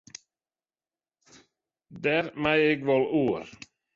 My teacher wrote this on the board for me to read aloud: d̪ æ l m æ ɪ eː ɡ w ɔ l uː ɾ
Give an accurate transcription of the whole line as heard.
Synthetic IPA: d̪ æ ɾ m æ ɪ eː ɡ ʋ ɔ l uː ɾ